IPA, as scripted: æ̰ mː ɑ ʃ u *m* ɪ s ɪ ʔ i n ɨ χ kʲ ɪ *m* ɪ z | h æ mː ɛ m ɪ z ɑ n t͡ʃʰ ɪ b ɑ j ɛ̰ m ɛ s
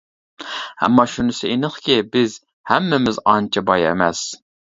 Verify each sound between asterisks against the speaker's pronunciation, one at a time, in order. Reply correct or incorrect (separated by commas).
incorrect, incorrect